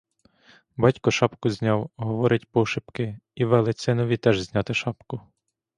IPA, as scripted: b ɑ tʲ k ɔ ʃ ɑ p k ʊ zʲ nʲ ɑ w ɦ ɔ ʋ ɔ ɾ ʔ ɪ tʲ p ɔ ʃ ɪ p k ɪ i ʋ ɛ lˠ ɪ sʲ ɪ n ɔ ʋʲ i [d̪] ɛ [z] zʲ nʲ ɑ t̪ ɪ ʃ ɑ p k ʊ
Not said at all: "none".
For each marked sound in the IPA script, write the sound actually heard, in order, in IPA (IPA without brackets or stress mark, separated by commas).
t̪, ʒ